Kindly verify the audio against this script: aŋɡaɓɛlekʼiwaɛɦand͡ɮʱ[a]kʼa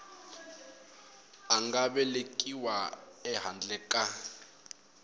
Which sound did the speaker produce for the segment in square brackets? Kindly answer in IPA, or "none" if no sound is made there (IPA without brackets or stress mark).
ɛ